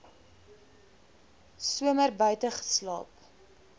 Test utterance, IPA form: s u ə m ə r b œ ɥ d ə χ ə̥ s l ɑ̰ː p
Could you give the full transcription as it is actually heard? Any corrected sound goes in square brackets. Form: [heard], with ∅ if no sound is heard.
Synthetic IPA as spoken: s u ə m ə r b œ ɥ [t] ə χ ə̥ s l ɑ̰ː p